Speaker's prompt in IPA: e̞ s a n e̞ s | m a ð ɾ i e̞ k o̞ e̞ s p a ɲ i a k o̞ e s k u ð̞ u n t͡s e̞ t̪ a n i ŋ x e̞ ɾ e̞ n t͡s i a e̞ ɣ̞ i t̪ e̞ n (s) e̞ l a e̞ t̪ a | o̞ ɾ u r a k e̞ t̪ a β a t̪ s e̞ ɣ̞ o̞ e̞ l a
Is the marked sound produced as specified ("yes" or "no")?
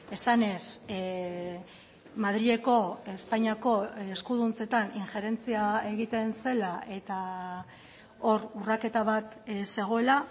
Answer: yes